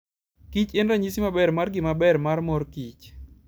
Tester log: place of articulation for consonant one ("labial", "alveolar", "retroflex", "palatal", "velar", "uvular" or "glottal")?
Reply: velar